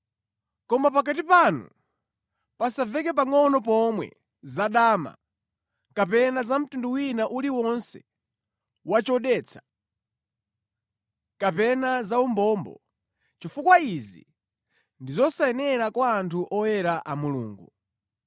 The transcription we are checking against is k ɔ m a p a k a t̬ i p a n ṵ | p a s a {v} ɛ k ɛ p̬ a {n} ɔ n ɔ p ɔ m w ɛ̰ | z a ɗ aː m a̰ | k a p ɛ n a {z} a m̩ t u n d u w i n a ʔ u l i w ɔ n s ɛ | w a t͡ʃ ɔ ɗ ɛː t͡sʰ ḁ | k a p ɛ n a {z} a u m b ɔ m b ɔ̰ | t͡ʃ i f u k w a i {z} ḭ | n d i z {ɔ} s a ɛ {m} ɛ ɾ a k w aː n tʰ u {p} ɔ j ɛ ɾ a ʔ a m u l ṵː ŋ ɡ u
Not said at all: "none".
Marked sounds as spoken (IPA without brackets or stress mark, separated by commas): v, ŋ, z, z, z, ɔ, n, ʔ